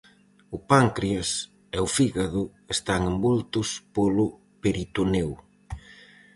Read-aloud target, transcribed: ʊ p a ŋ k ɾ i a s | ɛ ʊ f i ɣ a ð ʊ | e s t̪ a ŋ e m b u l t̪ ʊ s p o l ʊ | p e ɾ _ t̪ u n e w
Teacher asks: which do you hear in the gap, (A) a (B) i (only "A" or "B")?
B